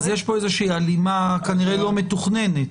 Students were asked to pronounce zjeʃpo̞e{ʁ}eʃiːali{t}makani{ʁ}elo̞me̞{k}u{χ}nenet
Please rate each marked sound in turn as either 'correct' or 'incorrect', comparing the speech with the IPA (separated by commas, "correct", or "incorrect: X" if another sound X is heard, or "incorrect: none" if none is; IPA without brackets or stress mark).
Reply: incorrect: z, incorrect: none, correct, incorrect: t, correct